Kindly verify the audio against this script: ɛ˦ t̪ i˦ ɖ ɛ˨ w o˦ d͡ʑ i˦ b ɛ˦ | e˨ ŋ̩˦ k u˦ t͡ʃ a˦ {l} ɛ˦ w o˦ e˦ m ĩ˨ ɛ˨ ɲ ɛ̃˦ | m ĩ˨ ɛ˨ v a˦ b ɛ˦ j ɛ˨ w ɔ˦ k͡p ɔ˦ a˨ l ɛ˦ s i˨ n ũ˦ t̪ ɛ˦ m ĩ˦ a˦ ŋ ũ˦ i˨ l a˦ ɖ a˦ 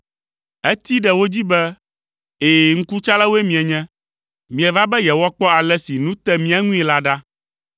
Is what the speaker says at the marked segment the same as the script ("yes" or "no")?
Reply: yes